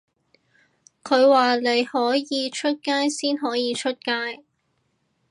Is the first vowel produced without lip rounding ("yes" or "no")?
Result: no